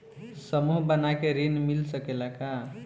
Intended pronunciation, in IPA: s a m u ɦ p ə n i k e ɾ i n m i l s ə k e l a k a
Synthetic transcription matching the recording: s ə m u ɦ b ə n a k e ɾ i n m i l s ə k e l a k a

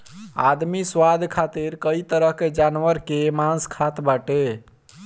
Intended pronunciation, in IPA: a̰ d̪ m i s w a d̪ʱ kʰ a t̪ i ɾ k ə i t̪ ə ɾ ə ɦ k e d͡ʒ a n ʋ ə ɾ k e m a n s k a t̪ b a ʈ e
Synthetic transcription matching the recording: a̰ d̪ m i s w a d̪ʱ kʰ a t̪ i ɾ k ə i t̪ ə ɾ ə ɦ k e d͡ʒ a n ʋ ə ɾ k e m a n s kʰ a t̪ b a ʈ e

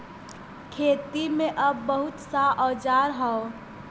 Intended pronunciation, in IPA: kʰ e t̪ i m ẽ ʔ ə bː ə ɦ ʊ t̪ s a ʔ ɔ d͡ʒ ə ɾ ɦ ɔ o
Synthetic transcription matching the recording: kʰ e t̪ i m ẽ ʔ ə bː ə ɦ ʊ t̪ s a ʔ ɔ d͡ʒ a ɾ ɦ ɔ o

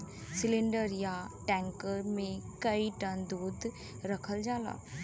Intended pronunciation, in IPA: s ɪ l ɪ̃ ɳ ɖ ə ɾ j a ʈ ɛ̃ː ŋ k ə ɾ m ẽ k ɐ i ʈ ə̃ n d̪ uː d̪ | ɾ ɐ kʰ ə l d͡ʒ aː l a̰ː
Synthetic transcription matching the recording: s ɪ l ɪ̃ ɳ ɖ ə ɾ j a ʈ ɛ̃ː ŋ k ə ɾ m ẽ k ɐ i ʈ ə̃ n d̪ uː d̪ | ɾ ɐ kʰ ə l d͡ʒ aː l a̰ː

